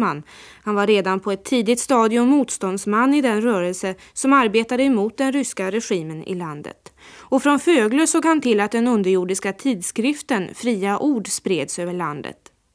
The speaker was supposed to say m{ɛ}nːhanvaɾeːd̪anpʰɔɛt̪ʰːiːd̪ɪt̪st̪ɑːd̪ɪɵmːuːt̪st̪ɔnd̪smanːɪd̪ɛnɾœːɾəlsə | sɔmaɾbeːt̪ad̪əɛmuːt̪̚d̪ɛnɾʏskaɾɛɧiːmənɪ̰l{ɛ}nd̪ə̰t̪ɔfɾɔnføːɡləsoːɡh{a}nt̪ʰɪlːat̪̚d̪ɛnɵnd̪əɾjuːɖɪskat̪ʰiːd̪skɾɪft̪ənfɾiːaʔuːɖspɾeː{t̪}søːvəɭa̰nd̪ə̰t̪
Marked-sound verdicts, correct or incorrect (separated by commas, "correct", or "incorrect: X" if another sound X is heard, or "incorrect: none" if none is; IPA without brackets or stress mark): incorrect: a, incorrect: a, correct, incorrect: d̪